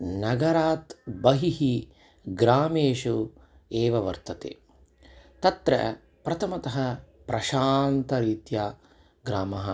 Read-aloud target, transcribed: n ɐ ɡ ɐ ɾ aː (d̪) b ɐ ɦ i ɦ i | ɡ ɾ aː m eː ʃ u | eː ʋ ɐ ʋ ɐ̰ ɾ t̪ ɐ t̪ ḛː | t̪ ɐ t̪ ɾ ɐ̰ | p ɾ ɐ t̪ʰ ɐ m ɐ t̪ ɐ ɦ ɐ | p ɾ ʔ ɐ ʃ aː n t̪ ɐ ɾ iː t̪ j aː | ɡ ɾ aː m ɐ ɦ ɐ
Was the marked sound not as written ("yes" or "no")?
yes